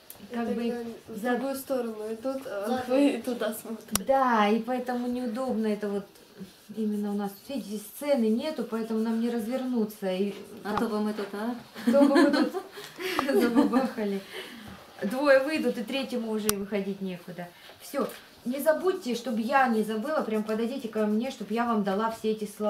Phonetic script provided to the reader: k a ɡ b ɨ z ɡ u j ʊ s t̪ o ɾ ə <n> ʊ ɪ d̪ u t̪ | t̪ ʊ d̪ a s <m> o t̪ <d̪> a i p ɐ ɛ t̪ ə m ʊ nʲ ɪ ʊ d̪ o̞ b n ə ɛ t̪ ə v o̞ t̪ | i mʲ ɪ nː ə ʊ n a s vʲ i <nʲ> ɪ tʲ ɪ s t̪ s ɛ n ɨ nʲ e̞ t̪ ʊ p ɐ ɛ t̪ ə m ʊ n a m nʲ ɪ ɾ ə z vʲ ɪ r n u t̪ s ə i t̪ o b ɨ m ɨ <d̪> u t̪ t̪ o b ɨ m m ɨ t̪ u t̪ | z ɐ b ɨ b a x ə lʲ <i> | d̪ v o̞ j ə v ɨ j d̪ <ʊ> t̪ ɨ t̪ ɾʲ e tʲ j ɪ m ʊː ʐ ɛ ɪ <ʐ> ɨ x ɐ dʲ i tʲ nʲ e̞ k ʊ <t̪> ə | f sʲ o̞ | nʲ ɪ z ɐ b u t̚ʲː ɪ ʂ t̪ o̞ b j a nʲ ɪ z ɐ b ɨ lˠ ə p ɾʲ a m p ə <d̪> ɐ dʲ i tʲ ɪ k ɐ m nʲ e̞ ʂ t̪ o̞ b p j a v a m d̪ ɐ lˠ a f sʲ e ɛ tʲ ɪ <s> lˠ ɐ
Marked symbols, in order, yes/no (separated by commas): yes, yes, yes, no, no, no, yes, no, no, yes, yes